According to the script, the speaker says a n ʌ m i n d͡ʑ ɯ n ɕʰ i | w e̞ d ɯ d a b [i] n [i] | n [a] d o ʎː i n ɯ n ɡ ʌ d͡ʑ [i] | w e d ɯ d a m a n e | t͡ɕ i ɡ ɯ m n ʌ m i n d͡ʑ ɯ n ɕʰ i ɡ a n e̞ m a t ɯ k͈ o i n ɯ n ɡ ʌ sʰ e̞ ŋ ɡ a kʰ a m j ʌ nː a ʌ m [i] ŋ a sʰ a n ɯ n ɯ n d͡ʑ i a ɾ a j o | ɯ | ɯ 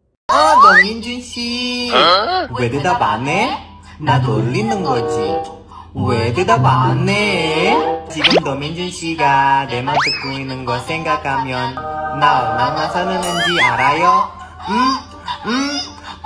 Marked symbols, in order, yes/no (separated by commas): no, no, yes, yes, no